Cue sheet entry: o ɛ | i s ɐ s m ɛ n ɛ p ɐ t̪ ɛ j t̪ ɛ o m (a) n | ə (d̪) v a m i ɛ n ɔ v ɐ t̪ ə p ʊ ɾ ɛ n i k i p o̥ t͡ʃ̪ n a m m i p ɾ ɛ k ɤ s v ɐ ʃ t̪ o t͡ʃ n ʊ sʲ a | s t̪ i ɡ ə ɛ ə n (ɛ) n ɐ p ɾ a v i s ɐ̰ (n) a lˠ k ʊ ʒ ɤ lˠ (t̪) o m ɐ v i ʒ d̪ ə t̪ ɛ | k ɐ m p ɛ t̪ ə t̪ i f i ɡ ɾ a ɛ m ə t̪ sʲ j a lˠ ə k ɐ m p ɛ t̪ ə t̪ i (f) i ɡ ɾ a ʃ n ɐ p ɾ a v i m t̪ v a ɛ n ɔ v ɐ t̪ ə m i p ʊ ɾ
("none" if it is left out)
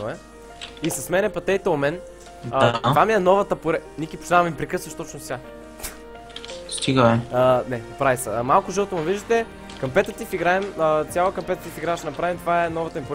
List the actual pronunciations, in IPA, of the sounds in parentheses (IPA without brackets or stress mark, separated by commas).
ɛ, t̪, ɛ, m, t̪, f